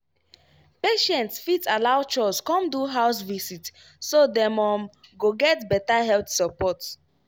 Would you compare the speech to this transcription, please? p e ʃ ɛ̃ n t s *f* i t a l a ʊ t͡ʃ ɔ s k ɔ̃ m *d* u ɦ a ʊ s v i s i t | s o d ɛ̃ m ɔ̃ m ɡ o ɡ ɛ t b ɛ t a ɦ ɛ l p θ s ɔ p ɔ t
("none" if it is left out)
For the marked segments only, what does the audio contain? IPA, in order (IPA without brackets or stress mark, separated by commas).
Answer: f, d